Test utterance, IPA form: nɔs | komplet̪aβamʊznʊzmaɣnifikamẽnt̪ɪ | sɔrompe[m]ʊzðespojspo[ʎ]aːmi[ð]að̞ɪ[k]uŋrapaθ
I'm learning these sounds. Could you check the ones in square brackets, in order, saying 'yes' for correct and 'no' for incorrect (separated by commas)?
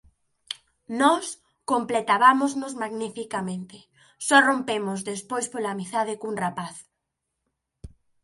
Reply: yes, no, no, yes